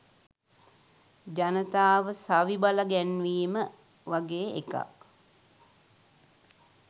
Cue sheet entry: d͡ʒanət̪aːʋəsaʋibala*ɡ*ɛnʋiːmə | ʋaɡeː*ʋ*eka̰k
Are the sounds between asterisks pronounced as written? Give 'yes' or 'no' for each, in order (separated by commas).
yes, no